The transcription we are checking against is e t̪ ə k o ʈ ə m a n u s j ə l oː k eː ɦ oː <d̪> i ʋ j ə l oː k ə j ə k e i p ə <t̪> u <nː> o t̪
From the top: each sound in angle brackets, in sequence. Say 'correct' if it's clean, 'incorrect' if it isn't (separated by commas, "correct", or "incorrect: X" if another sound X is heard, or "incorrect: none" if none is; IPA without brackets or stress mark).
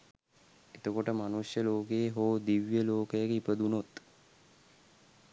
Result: correct, incorrect: d̪, incorrect: n